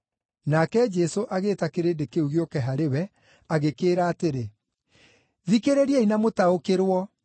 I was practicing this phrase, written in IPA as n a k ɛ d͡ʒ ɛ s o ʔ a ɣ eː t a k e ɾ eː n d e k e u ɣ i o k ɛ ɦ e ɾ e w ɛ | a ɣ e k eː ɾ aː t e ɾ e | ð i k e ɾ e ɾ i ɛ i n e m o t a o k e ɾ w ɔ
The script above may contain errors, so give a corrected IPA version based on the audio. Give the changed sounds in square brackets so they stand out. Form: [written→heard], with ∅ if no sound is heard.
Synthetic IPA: n a k ɛ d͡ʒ ɛ s o ʔ a ɣ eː t a k e ɾ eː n d e k e u ɣ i o k ɛ ɦ [e→a] ɾ e w ɛ | a ɣ e k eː ɾ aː t e ɾ e | ð i k e ɾ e ɾ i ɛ i n [e→a] m o t a o k e ɾ w ɔ